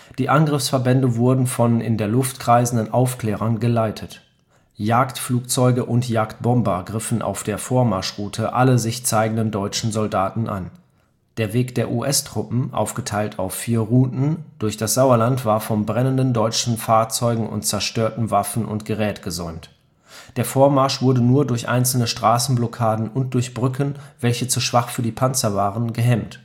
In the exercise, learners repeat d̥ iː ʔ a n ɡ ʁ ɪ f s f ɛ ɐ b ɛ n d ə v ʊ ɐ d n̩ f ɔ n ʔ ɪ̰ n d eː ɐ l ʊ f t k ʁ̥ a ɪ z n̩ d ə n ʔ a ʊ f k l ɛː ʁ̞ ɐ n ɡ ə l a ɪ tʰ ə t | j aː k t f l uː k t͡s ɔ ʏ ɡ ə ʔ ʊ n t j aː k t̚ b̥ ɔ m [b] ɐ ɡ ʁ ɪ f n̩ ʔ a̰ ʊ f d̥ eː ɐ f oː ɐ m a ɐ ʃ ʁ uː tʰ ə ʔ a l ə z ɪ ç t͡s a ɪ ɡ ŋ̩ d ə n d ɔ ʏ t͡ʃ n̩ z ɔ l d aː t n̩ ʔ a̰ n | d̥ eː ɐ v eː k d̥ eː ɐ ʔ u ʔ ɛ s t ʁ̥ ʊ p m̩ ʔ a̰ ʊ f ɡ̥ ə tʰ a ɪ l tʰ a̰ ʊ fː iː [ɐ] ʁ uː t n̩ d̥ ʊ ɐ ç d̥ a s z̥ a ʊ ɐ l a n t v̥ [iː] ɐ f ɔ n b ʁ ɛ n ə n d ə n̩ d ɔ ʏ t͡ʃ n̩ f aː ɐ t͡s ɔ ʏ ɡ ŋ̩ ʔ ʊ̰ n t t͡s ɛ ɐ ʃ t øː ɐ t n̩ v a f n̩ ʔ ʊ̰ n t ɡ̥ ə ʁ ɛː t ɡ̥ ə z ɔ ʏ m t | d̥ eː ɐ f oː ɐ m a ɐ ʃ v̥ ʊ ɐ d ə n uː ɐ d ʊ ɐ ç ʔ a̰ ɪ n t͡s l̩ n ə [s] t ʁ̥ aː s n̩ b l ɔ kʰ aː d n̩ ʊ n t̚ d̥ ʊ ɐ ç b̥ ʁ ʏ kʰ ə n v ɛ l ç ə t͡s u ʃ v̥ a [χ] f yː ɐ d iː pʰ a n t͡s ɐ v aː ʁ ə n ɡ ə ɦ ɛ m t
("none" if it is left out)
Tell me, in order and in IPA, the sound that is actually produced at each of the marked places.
b, ɐ, aː, ʃ, χ

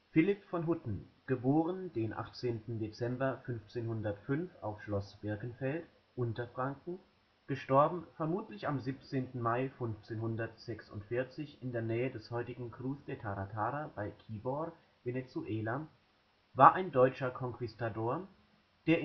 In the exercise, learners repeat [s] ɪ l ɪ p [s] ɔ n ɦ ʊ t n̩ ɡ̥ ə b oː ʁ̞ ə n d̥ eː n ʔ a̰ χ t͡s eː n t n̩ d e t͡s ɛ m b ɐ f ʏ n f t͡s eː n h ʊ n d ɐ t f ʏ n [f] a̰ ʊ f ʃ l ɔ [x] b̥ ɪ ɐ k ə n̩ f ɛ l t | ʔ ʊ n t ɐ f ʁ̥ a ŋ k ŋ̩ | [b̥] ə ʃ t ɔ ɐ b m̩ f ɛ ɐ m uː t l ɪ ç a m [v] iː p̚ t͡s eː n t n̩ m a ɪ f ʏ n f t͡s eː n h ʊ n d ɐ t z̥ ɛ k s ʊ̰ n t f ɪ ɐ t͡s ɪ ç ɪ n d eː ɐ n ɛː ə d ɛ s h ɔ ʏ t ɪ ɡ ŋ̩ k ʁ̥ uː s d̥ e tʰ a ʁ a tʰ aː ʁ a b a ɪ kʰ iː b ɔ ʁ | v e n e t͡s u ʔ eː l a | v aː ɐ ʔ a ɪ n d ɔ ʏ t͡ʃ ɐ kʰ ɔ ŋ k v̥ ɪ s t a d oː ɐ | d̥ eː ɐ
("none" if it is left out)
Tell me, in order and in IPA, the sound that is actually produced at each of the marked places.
f, f, f, s, ɡ̥, z

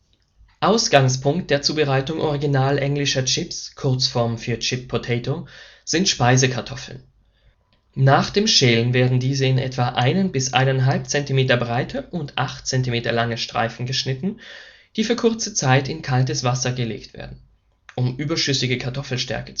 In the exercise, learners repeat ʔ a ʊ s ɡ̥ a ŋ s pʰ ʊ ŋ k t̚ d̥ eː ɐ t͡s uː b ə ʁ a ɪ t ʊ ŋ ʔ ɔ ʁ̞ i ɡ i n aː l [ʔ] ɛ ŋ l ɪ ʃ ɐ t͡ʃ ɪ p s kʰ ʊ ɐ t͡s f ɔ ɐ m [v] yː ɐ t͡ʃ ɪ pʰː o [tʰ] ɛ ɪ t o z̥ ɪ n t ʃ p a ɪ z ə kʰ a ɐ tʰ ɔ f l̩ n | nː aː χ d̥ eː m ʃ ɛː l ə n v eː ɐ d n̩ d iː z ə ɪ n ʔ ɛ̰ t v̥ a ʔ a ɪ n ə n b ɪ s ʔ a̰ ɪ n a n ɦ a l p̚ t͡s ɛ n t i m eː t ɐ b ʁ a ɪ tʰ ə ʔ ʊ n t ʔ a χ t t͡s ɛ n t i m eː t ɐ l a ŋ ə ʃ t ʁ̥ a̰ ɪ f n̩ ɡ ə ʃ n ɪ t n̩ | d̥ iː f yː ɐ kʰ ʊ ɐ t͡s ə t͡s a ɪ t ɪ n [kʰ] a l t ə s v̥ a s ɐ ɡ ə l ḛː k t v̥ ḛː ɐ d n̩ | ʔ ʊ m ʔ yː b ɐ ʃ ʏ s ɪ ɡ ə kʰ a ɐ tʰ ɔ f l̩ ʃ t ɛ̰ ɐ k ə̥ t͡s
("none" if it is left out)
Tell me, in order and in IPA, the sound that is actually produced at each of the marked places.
ʔ, f, tʰ, kʰ

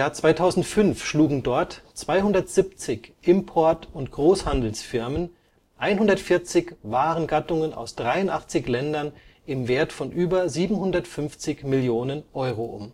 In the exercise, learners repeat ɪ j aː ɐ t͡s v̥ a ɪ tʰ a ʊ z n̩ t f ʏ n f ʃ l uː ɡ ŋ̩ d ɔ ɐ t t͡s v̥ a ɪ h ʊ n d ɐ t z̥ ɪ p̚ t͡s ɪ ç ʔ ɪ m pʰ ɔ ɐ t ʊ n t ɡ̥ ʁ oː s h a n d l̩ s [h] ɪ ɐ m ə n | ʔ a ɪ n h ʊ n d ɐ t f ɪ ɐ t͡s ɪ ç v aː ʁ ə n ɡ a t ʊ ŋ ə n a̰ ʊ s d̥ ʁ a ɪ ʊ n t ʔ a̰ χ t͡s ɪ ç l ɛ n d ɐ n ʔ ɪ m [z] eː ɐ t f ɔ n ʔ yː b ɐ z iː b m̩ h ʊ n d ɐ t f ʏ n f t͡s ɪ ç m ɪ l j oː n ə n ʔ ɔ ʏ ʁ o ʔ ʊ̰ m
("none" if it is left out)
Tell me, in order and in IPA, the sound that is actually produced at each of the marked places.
f, v

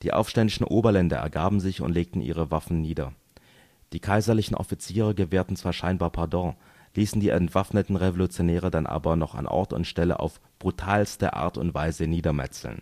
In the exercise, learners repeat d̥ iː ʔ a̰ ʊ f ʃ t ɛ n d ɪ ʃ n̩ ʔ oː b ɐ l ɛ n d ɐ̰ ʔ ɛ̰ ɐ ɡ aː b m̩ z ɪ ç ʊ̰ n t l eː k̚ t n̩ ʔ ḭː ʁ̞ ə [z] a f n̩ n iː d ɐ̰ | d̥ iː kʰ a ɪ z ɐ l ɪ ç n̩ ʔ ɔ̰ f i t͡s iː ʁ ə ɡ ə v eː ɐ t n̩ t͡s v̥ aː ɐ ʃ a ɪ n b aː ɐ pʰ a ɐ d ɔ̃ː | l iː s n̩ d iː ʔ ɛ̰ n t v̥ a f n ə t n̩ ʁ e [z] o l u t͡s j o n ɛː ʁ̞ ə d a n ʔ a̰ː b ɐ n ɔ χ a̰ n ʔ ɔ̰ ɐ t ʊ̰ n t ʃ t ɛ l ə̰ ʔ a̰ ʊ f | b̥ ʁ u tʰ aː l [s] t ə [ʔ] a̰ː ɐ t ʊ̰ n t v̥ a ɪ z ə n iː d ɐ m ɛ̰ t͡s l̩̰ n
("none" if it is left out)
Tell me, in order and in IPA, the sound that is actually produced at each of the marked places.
v, v, s, ʔ

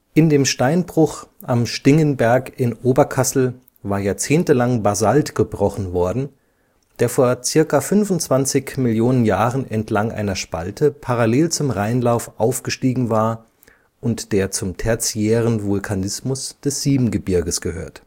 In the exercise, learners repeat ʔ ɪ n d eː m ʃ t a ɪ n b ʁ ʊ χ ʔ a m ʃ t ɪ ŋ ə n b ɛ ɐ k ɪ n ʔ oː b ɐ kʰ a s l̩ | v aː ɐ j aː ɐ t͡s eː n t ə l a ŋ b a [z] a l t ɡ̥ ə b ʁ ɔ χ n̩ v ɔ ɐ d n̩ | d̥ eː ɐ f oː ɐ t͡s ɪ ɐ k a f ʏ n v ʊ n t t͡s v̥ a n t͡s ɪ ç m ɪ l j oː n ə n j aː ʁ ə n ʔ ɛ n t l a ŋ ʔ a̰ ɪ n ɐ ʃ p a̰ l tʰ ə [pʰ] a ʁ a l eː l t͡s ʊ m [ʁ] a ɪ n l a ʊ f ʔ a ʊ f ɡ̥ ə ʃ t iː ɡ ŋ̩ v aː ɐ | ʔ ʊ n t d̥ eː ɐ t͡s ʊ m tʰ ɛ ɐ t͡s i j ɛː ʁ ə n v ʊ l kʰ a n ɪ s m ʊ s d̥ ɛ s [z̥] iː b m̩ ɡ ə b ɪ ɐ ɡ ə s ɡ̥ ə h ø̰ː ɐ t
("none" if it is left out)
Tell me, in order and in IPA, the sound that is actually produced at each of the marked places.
z, pʰ, ʁ, z̥

